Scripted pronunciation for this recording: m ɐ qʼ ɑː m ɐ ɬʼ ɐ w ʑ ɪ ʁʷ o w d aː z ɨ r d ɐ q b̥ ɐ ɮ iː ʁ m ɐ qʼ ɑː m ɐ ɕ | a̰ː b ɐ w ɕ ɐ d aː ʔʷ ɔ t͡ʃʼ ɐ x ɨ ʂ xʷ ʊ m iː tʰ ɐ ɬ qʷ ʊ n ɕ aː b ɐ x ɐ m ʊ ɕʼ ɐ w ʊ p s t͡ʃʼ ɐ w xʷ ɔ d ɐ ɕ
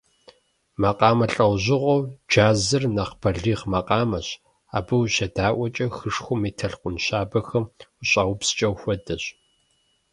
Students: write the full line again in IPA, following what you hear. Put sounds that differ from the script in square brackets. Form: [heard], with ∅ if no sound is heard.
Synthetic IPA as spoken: m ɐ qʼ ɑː m ɐ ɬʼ ɐ w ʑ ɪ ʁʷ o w [d͡ʒ] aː z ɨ r [n] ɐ q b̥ ɐ ɮ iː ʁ m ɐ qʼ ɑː m ɐ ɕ | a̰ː b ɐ w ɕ ɐ d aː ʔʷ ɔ t͡ʃʼ ɐ x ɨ ʂ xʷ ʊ m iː tʰ ɐ ɬ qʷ ʊ n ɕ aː b ɐ x ɐ m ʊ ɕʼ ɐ w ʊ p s t͡ʃʼ ɐ w xʷ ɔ d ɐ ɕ